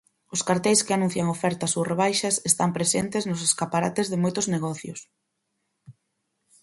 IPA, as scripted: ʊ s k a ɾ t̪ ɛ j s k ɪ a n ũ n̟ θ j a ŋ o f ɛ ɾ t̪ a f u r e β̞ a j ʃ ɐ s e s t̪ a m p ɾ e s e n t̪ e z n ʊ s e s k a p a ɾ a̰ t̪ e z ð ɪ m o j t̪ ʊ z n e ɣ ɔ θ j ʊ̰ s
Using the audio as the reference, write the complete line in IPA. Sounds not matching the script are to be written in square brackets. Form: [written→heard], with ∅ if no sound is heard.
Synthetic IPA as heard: ʊ s k a ɾ t̪ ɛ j s k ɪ a n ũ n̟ θ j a ŋ o f ɛ ɾ t̪ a [f→s] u r e β̞ a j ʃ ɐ s e s t̪ a m p ɾ e s e n t̪ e z n ʊ s e s k a p a ɾ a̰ t̪ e z ð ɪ m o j t̪ ʊ z n e ɣ ɔ θ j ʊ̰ s